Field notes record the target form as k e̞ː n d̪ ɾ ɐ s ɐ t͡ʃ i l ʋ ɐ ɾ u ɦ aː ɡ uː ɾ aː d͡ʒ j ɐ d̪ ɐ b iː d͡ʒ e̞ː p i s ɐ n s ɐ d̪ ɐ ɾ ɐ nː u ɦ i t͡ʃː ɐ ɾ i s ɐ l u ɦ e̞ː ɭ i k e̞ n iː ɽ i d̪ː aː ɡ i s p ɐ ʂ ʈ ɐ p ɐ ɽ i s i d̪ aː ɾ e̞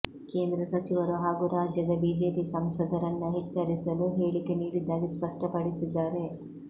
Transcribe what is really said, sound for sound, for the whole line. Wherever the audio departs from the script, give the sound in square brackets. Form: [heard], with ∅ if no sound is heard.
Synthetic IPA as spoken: k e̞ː n d̪ ɾ ɐ s ɐ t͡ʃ i [∅] ʋ ɐ ɾ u ɦ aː ɡ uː ɾ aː d͡ʒ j ɐ d̪ ɐ b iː d͡ʒ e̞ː p i s ɐ [m] s ɐ d̪ ɐ ɾ ɐ nː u ɦ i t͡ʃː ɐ ɾ i s ɐ l u ɦ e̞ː ɭ i k e̞ n iː ɽ i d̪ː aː ɡ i s p ɐ ʂ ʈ ɐ p ɐ ɽ i s i [d̪ː] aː ɾ e̞